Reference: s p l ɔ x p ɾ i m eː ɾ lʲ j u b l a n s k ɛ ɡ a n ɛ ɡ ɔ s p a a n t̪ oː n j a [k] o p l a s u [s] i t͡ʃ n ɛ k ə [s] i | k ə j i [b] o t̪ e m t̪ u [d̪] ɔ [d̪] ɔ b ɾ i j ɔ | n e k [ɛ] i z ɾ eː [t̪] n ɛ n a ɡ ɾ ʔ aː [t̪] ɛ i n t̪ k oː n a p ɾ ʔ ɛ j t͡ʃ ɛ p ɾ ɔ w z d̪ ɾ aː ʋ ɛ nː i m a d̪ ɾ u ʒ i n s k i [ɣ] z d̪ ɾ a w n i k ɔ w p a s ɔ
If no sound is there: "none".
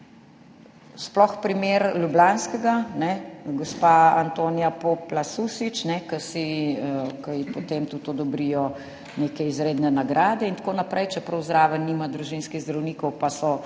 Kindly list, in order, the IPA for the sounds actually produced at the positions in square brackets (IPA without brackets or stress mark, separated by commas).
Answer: p, s, s, p, t̪, d̪, ɛ, d̪, d̪, ɣ